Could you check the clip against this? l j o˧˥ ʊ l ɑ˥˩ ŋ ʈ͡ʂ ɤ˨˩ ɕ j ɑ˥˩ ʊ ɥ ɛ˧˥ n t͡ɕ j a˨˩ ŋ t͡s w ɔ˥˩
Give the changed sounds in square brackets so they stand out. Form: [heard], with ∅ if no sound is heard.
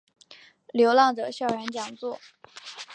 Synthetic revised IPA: l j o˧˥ ʊ l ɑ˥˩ ŋ ʈ͡ʂ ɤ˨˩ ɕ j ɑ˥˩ ʊ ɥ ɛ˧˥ n t͡ɕ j [ɑ˨˩] ŋ t͡s w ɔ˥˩